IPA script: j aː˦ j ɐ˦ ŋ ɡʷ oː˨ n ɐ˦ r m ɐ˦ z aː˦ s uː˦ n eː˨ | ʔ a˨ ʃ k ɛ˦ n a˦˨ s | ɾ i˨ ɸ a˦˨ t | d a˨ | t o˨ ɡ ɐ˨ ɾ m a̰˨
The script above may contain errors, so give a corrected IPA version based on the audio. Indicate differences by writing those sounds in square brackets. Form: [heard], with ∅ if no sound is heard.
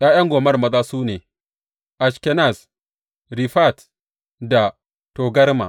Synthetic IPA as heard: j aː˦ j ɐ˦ ŋ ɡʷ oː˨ [m] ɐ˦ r m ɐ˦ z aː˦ s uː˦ n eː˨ | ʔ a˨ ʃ k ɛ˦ n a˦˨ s | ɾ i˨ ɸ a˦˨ t | d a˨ | t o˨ ɡ [ɐ˦] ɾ m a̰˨